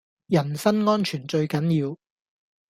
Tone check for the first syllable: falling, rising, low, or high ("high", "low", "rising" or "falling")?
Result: low